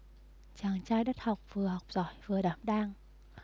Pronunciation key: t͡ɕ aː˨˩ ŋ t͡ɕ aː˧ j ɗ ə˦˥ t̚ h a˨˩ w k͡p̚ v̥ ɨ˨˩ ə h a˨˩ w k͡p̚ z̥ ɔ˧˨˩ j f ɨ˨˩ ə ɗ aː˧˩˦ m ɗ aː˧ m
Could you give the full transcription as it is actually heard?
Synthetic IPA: t͡ɕ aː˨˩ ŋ t͡ɕ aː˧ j ɗ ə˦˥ t̚ h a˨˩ w k͡p̚ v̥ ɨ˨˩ ə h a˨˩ w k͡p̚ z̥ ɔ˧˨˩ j v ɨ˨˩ ə ɗ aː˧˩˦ m ɗ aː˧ ŋ